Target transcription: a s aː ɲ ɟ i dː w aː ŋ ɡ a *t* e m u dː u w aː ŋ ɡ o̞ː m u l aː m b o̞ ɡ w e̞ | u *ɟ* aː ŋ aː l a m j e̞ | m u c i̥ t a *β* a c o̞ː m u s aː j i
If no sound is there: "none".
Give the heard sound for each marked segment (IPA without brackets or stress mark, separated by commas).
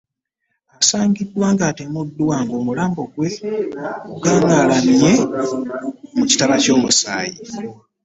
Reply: t, ɡ, β